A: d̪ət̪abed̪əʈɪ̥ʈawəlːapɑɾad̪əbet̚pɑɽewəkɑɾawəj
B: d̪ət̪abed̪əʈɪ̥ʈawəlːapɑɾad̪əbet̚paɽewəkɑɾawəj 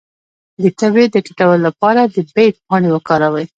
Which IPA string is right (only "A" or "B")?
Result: A